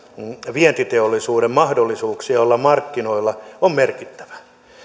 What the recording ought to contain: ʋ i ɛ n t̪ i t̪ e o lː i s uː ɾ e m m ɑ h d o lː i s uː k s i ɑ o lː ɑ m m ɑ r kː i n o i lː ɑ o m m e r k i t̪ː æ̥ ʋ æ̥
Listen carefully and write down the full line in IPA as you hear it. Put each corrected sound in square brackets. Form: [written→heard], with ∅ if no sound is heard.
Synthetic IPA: ʋ i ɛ n t̪ i t̪ e o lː i s uː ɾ e m m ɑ h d o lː i s uː k s i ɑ o lː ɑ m m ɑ r kː i n o i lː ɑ o m m e r k i t̪ː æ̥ ʋ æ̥